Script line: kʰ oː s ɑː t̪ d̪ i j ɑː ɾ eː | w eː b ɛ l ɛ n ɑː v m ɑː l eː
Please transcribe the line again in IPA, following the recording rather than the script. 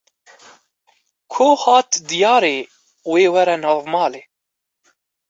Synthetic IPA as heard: kʰ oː h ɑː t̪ d̪ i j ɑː ɾ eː | w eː w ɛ ɾ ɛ n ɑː v m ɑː l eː